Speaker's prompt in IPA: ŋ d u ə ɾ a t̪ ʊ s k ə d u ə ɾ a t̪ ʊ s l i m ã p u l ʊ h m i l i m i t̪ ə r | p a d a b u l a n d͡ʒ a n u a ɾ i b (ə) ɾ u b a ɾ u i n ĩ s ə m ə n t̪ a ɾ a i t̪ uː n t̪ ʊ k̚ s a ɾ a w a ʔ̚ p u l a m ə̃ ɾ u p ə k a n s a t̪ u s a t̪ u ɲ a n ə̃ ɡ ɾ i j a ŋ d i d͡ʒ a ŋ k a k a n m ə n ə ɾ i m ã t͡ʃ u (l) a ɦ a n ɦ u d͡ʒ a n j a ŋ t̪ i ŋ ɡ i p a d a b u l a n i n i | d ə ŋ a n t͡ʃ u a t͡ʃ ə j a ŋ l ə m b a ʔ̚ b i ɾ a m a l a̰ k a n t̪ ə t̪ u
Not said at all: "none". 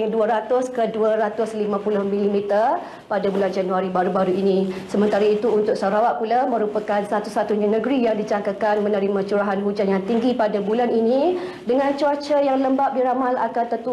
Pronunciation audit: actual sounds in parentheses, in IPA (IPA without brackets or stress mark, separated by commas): a, ɾ